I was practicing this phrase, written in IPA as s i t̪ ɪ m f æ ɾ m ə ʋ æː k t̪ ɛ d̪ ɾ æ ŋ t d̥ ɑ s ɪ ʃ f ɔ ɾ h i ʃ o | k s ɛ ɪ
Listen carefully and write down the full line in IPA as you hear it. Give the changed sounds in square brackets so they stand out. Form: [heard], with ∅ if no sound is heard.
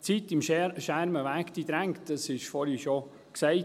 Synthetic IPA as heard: [t͡s] i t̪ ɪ m [ʃ] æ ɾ m ə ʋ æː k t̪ [i] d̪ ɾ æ ŋ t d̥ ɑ s ɪ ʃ f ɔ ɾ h i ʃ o | k s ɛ ɪ